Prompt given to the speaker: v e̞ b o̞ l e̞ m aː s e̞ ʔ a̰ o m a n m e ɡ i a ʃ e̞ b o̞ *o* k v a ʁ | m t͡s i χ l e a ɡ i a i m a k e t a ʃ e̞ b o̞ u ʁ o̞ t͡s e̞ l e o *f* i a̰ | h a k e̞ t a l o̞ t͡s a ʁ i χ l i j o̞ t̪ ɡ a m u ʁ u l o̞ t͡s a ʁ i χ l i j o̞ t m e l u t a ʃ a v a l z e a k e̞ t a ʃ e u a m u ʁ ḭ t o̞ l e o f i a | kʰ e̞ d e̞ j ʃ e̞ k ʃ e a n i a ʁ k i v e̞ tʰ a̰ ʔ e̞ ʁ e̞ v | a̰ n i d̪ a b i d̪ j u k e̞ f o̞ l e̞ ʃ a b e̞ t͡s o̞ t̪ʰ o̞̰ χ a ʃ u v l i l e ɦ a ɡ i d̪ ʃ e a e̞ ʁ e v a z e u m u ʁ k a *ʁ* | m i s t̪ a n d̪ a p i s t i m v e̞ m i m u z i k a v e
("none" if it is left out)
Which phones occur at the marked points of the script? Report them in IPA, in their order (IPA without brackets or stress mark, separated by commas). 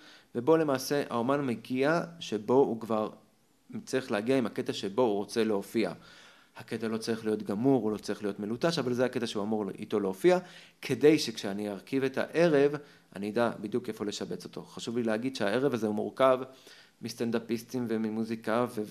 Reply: u, f, v